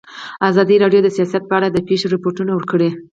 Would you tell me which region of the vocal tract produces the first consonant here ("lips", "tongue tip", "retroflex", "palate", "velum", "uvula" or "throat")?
tongue tip